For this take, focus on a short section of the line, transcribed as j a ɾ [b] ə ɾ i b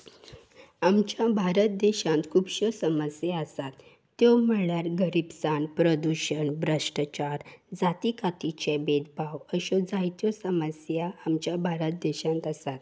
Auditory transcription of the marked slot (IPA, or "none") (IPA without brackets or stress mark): ɡ